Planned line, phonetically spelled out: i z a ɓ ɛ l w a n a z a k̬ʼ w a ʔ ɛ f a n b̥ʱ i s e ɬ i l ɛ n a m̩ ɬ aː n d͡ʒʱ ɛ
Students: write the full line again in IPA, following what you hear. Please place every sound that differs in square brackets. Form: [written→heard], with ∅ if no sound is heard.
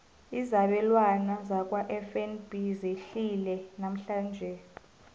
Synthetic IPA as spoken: i z a ɓ ɛ l w a n a z a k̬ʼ w a ʔ ɛ f [a→ɛ] n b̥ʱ i [s→z] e ɬ i l ɛ n a m̩ ɬ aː n d͡ʒʱ ɛ